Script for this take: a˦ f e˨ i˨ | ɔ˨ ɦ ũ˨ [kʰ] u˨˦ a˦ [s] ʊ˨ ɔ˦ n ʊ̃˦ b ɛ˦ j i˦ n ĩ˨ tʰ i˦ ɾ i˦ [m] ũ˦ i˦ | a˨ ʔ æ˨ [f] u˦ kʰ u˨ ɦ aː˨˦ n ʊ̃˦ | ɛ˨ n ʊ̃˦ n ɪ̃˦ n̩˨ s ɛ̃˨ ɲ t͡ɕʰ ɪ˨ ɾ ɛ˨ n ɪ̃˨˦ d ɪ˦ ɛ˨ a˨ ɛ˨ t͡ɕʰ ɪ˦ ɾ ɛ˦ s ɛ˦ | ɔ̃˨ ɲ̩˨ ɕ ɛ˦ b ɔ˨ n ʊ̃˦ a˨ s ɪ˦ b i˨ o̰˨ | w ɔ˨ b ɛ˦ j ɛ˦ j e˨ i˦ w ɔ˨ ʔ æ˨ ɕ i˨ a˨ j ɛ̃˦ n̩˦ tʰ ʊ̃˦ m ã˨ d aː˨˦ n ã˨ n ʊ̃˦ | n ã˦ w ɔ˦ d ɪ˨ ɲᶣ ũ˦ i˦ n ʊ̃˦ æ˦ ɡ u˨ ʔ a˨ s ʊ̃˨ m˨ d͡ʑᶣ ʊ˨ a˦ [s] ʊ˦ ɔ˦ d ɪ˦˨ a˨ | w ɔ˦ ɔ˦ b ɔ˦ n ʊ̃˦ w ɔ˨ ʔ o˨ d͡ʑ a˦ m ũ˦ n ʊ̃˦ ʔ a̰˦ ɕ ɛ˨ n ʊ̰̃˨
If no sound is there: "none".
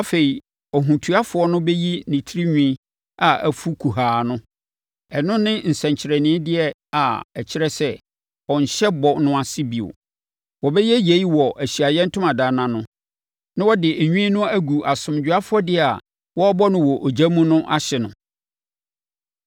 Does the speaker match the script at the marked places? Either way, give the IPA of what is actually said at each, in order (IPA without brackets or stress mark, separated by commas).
tʰ, f, ɲ, f, f